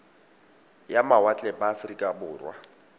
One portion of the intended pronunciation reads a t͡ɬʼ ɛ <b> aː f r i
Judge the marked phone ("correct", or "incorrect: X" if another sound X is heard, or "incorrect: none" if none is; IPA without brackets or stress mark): correct